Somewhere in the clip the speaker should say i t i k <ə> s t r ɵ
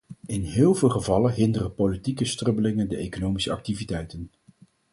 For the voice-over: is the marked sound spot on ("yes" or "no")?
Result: yes